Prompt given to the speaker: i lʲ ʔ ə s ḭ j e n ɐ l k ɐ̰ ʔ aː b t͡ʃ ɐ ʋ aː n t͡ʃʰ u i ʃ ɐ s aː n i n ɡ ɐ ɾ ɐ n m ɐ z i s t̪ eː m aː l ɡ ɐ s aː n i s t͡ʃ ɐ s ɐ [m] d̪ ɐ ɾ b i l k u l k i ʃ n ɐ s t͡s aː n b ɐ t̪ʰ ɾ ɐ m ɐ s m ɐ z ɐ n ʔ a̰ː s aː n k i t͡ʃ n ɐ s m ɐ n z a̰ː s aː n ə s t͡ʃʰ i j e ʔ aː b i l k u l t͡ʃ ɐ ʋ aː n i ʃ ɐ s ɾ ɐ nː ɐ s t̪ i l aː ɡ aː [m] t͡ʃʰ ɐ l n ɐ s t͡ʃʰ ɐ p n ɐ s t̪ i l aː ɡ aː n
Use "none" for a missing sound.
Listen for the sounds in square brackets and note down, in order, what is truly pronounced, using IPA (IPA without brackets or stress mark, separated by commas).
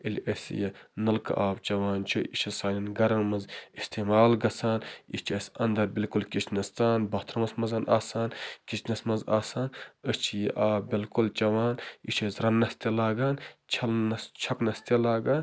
n, n